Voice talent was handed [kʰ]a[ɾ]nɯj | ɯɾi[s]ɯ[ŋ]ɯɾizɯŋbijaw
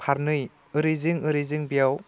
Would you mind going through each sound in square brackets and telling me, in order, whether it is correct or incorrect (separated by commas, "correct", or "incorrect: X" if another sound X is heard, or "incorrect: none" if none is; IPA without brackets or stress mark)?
incorrect: pʰ, correct, incorrect: z, correct